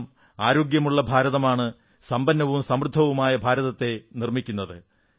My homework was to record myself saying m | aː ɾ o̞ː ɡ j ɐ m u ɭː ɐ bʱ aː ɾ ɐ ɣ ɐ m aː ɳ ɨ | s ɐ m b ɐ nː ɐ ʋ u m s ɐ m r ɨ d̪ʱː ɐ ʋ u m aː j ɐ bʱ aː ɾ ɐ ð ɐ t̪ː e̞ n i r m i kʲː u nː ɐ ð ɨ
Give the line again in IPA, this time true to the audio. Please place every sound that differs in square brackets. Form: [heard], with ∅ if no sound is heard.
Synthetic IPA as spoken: m | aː ɾ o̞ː ɡ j ɐ m u ɭː ɐ bʱ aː ɾ ɐ [ð] ɐ m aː ɳ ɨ | s ɐ m b ɐ nː ɐ ʋ u m s ɐ m r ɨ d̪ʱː ɐ ʋ u m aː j ɐ bʱ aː ɾ ɐ ð ɐ t̪ː e̞ n i r m i kʲː u nː ɐ ð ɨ